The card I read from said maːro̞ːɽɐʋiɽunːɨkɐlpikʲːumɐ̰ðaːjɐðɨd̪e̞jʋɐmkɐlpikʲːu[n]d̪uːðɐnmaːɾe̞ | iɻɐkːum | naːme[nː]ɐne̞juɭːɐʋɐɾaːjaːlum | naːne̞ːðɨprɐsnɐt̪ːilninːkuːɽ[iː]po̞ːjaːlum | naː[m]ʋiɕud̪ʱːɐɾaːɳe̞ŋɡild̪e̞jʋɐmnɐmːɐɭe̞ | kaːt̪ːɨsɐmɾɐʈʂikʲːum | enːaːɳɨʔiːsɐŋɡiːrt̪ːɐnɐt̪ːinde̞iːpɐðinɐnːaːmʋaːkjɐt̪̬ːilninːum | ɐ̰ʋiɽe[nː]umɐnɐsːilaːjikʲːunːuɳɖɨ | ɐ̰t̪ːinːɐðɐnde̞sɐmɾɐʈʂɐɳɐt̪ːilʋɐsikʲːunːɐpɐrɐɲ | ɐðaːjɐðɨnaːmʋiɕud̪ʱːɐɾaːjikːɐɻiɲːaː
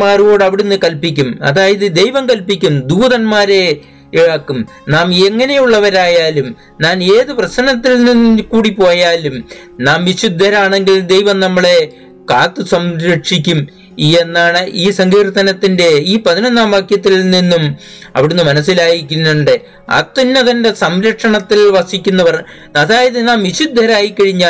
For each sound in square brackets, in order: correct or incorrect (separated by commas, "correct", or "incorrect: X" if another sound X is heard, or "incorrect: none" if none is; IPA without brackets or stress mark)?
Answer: incorrect: m, incorrect: ŋː, incorrect: i, correct, correct